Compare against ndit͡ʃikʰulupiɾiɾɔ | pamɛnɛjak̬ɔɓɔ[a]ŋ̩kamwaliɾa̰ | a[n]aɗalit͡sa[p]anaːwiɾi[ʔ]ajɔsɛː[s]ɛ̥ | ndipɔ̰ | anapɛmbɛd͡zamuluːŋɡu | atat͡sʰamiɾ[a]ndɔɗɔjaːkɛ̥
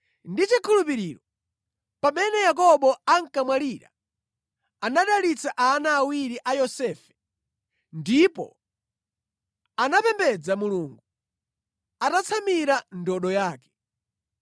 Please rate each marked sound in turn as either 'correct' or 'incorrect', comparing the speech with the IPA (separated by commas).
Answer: correct, correct, incorrect, correct, incorrect, correct